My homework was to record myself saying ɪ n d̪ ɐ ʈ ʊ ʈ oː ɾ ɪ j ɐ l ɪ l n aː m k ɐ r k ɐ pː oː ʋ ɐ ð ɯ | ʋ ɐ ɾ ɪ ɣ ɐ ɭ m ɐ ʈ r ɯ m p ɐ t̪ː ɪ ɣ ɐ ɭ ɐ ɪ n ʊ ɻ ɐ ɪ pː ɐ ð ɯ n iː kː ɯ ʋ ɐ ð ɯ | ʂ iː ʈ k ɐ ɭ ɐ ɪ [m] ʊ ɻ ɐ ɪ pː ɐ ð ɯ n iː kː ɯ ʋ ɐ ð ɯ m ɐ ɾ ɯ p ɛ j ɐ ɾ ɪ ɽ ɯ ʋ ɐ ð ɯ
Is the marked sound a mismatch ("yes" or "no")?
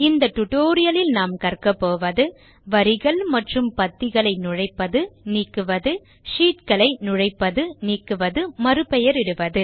yes